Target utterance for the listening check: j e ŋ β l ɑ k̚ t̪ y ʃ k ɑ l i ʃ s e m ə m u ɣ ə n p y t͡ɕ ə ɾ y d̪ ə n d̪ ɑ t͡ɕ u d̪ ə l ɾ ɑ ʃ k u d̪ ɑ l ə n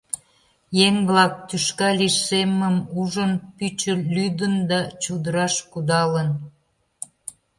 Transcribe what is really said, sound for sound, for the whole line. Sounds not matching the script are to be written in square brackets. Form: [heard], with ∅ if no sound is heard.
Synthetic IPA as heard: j e ŋ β l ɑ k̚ t̪ y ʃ k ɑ l i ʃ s e m ə m u [ʒ] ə n p y t͡ɕ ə [l] y d̪ ə n d̪ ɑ t͡ɕ u d̪ ə [∅] ɾ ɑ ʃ k u d̪ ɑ l ə n